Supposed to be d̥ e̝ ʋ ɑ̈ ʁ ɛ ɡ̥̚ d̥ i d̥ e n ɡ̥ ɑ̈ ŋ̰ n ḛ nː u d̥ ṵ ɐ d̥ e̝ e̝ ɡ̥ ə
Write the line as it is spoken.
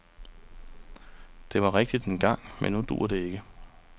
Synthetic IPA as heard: d̥ e̝ ʋ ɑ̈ ʁ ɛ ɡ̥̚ d̥ i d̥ e n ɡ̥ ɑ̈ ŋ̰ m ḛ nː u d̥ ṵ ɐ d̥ e̝ e̝ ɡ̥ ə